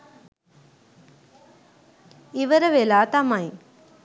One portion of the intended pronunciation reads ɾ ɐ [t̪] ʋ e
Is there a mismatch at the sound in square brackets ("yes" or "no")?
yes